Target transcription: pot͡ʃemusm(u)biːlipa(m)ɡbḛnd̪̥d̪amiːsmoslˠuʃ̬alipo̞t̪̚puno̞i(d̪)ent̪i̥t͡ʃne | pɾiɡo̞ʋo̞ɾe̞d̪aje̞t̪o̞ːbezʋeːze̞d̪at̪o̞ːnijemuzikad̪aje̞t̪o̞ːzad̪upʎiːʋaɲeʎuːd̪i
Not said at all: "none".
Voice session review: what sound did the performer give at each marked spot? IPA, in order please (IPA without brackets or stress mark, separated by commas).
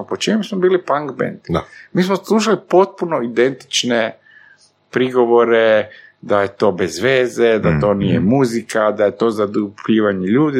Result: o, ŋ, d̪